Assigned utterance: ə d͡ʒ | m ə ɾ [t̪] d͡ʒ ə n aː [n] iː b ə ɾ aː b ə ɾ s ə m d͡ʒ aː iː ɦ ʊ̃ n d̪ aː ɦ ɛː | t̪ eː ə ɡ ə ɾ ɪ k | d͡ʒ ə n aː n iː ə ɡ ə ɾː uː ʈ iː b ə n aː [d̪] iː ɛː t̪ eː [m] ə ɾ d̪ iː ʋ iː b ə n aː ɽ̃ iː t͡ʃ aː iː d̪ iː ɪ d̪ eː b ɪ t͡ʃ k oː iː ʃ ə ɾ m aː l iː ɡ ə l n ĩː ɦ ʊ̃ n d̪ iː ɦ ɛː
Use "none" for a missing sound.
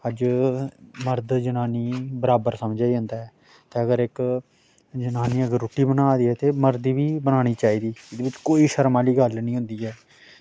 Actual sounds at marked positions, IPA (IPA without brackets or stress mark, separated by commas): d̪, n, d̪, m